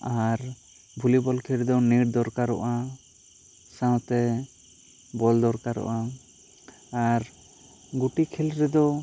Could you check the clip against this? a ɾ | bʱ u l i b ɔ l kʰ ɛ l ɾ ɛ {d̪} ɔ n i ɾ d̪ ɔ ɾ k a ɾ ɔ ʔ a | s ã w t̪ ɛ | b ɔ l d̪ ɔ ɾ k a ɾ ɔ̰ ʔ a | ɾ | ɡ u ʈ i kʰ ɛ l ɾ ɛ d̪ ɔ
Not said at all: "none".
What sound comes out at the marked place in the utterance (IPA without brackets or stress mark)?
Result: d̪